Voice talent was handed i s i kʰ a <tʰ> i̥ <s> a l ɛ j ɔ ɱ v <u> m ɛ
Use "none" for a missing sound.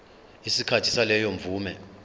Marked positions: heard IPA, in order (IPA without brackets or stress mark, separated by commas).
tʰ, s, uː